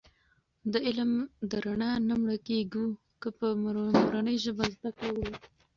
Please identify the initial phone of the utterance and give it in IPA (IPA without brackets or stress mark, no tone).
d̪